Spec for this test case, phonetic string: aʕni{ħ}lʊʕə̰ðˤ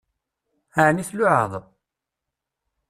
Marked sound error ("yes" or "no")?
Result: yes